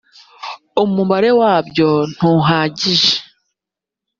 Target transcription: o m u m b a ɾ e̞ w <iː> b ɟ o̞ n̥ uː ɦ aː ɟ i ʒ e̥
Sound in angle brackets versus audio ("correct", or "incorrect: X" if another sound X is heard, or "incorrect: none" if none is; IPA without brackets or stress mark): incorrect: aː